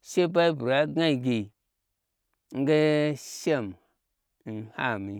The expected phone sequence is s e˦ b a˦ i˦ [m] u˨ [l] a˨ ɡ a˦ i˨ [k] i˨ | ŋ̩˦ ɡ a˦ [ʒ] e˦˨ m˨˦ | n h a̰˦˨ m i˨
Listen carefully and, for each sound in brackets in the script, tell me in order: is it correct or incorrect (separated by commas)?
incorrect, incorrect, incorrect, incorrect